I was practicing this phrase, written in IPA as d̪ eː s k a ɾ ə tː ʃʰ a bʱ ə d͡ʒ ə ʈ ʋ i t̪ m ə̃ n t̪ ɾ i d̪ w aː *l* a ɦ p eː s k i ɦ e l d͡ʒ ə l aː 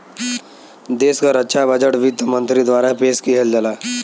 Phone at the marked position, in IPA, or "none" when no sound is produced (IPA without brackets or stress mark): ɾ